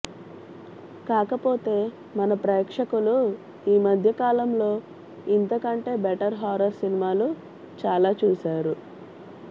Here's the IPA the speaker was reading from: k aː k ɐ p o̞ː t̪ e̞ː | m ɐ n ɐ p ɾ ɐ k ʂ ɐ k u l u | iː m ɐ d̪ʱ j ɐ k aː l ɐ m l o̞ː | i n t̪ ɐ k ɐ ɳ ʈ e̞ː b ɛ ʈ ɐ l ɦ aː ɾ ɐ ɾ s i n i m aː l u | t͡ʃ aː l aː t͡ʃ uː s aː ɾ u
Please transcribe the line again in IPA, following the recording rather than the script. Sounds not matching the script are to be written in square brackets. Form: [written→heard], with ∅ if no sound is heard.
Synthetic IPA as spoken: k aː k ɐ p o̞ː t̪ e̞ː | m ɐ n ɐ p ɾ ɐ k ʂ ɐ k u l u | iː m ɐ d̪ʱ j ɐ k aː l ɐ m l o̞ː | i n t̪ ɐ k ɐ ɳ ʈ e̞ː b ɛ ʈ ɐ [l→ɾ] ɦ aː ɾ ɐ ɾ s i n i m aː l u | t͡ʃ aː l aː t͡ʃ uː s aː ɾ u